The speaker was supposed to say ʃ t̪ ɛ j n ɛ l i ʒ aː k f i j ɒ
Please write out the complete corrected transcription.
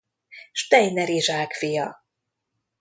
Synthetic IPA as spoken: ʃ t̪ ɛ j n ɛ ɾ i ʒ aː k f i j ɒ